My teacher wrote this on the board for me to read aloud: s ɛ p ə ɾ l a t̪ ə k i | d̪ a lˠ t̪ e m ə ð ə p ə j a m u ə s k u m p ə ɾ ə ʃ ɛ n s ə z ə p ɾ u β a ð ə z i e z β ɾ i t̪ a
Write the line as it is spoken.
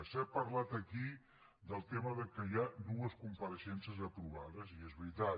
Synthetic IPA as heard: s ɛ p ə ɾ l a t̪ ə k i | d̪ ə lˠ t̪ e m ə ð ə k ə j a n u ə s k u m p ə ɾ ə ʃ ɛ n s ə z ə p ɾ u β a ð ə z i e z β ɾ i t̪ a